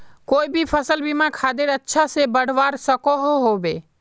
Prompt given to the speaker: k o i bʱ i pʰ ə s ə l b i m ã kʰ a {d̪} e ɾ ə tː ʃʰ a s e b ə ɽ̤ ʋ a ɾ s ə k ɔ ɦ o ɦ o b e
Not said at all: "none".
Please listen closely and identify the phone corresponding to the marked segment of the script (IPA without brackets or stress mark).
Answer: d̪